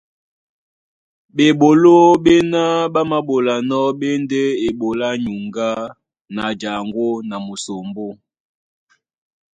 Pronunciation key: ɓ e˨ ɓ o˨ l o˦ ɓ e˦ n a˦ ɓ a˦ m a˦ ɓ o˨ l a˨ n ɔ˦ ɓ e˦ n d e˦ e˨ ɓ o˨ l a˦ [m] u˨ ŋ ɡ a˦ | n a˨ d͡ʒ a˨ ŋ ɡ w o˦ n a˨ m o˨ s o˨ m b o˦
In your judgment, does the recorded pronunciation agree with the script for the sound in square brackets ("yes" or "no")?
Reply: no